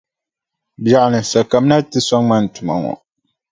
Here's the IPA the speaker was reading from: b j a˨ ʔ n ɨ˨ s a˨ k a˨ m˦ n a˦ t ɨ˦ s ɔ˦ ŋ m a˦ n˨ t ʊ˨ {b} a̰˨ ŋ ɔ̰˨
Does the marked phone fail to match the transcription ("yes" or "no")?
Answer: yes